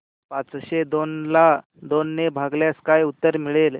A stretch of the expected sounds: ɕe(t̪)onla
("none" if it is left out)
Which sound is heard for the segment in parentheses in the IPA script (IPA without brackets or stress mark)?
d̪